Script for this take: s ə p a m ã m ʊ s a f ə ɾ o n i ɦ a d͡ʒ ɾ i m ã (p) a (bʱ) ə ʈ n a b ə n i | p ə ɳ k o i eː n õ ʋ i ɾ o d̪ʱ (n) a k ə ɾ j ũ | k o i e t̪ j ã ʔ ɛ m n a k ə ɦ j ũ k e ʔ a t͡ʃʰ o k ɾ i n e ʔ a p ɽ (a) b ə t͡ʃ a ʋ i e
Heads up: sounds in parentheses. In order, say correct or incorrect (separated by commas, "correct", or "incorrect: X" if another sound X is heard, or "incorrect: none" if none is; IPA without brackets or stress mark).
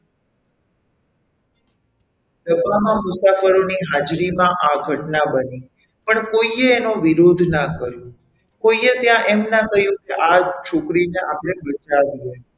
incorrect: ʔ, incorrect: ɡʱ, correct, incorrect: e